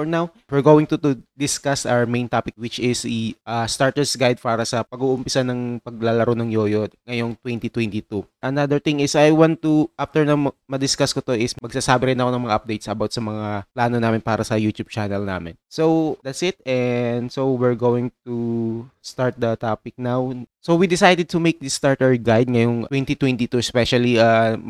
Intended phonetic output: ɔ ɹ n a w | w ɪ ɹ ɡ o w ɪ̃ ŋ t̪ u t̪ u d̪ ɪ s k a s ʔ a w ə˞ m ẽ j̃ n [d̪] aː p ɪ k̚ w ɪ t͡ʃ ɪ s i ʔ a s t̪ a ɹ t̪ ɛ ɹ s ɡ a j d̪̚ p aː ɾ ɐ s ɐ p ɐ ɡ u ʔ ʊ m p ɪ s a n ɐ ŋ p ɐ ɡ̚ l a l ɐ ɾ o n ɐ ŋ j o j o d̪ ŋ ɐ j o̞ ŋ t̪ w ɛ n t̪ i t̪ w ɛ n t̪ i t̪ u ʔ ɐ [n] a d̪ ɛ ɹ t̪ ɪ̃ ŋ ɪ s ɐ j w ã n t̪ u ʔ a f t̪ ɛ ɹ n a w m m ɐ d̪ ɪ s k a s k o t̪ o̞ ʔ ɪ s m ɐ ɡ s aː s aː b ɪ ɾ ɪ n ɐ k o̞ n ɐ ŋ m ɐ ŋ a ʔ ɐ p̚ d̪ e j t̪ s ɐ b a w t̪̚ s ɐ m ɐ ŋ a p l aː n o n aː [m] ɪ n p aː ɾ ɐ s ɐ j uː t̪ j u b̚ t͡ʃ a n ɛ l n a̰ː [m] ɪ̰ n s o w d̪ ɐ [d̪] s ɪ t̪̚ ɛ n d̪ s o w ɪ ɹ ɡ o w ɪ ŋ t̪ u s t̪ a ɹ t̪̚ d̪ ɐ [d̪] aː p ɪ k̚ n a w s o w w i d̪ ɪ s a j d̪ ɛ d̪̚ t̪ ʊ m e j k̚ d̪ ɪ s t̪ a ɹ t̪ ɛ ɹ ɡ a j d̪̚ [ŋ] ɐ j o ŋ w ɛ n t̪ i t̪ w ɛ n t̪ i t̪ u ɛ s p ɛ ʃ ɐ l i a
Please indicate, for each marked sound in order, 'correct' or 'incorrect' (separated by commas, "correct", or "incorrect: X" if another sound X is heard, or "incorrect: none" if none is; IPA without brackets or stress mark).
incorrect: t̪, correct, correct, correct, incorrect: t̪, incorrect: t̪, correct